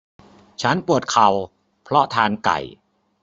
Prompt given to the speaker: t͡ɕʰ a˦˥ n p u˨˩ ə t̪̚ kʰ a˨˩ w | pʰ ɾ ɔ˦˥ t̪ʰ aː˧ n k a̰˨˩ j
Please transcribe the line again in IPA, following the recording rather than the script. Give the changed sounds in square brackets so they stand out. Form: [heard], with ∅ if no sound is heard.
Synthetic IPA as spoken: t͡ɕʰ a˦˥ n p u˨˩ ə t̪̚ kʰ a˨˩ w | pʰ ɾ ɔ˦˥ t̪ʰ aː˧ n k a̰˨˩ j